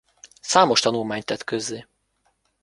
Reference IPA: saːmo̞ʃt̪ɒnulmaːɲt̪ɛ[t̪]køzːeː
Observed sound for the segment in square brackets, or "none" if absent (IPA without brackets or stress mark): t̪